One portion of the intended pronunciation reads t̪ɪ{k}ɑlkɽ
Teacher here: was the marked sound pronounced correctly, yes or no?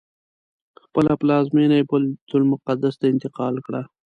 no